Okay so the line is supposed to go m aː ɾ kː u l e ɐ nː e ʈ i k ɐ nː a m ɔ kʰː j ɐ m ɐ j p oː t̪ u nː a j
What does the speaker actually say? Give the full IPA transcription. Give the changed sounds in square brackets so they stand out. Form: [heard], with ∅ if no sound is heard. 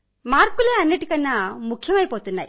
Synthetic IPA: m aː ɾ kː u l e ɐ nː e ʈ i k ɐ nː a m [u] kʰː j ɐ m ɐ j p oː t̪ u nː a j